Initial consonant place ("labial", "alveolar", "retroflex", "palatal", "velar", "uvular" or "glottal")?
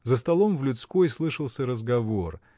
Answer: alveolar